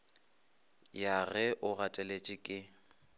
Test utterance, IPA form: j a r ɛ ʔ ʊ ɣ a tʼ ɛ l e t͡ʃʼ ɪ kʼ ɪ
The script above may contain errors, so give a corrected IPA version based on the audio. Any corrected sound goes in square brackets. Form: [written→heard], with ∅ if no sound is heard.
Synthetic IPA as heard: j a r ɛ ʔ ʊ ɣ a tʼ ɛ l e t͡ʃʼ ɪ kʼ ɪ